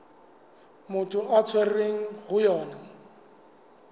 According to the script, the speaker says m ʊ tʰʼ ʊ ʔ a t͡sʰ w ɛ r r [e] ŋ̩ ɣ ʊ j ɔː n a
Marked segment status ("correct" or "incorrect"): correct